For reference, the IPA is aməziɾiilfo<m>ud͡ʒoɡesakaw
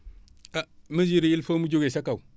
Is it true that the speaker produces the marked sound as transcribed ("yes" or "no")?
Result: yes